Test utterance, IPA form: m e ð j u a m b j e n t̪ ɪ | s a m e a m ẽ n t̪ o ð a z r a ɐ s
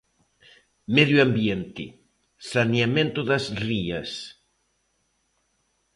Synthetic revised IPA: m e ð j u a m b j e n t̪ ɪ | s a n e a m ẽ n t̪ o ð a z r i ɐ s

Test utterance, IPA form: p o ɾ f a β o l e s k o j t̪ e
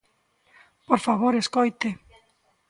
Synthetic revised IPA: p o ɾ f a β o ɾ e s k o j t̪ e

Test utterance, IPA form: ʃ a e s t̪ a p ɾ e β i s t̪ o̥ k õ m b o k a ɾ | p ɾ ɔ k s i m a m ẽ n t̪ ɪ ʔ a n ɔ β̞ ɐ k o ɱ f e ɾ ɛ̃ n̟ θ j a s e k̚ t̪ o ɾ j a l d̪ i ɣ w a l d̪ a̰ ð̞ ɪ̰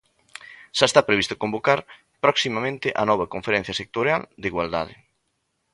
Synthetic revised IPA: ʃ a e s t̪ a p ɾ e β i s t̪ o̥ k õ m b o k a ɾ | p ɾ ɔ k s i m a m ẽ n t̪ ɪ ʔ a n ɔ β̞ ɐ k o ɱ f e ɾ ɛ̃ n̟ θ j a s e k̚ t̪ o ɾ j a l d̪ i ɣ w a l d̪ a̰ ð̞ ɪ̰

